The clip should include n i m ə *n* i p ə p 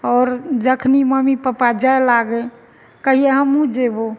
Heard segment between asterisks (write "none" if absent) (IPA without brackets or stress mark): m